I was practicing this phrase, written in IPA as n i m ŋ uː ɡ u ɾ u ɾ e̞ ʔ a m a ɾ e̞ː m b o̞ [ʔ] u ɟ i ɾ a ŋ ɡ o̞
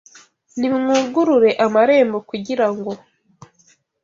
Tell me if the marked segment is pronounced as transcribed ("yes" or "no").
no